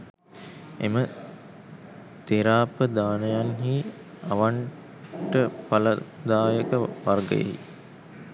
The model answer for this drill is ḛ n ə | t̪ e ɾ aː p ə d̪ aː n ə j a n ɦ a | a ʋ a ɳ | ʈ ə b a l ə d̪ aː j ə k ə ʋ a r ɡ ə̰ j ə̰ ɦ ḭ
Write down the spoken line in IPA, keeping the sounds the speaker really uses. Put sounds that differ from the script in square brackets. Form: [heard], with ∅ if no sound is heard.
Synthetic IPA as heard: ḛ [m] ə | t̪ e ɾ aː p ə d̪ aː n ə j a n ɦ [i] | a ʋ a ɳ | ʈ ə [p] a l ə d̪ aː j ə k ə ʋ a r ɡ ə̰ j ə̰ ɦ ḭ